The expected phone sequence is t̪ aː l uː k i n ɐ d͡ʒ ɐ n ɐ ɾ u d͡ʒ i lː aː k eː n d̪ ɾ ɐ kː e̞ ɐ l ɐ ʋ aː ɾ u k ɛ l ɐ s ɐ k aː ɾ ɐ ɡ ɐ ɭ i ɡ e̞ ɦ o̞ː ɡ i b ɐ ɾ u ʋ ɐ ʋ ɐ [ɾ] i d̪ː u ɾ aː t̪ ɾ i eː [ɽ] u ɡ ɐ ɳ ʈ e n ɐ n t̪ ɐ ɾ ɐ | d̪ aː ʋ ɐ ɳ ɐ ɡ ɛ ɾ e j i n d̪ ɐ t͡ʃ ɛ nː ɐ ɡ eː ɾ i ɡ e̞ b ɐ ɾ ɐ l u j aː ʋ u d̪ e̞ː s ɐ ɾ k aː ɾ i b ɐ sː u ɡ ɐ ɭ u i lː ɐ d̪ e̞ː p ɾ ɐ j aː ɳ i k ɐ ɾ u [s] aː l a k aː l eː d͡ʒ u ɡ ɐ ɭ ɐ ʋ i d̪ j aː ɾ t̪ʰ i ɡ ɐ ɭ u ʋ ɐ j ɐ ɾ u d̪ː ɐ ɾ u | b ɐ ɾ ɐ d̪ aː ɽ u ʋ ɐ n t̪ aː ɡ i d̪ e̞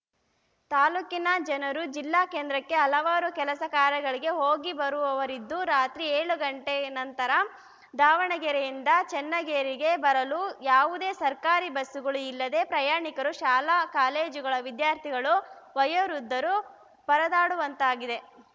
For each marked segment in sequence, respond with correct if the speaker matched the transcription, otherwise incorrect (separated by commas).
correct, incorrect, incorrect